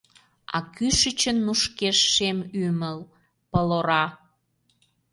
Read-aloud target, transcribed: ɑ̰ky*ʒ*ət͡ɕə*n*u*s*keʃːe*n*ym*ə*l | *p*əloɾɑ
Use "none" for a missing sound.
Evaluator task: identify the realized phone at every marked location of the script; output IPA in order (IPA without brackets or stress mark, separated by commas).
ʃ, nː, ʃ, m, ə, p